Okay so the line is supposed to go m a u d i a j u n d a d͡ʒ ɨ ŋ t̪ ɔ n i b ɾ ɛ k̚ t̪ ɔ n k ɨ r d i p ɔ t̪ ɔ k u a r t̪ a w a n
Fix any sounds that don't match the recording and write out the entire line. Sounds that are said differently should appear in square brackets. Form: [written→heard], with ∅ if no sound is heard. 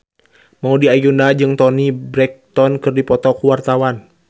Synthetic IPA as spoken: m a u d i a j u n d a d͡ʒ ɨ ŋ t̪ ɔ n i b ɾ ɛ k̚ t̪ ɔ n k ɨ r d i p ɔ t̪ ɔ k [u→w] a r t̪ a w a n